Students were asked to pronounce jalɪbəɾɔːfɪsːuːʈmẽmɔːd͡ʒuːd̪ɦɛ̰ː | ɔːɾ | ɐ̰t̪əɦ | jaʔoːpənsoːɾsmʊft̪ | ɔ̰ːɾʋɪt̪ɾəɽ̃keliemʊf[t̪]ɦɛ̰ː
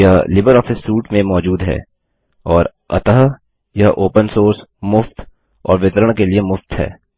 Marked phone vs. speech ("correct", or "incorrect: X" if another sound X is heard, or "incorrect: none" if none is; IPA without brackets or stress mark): correct